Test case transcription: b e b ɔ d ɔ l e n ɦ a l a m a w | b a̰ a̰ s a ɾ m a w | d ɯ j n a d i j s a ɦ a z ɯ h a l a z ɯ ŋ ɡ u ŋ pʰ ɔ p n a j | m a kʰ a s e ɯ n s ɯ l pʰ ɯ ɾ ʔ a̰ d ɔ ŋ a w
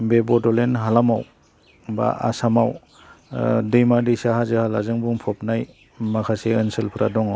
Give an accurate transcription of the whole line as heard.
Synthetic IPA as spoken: b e b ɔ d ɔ l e n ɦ a l a m a w | b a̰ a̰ s a m a w | d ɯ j m a d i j s a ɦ a z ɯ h a l a z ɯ ŋ b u ŋ pʰ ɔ p n a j | m a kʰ a s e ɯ n s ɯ l pʰ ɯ ɾ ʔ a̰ d ɔ ŋ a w